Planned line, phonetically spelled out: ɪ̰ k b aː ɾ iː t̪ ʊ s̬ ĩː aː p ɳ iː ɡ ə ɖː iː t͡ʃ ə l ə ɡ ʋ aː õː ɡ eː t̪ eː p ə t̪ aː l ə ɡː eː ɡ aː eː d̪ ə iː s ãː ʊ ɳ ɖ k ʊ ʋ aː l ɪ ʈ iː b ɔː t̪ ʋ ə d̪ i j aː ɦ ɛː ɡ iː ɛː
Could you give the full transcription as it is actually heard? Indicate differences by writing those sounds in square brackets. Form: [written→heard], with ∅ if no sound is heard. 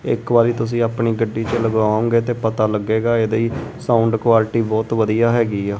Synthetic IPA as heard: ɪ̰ k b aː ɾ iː t̪ ʊ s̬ ĩː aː p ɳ iː ɡ ə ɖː iː t͡ʃ ə l ə ɡ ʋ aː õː ɡ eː t̪ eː p ə t̪ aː l ə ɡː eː ɡ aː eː d̪ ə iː s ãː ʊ ɳ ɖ k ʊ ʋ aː l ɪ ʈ iː b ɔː t̪ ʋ ə d̪ i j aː ɦ ɛː ɡ iː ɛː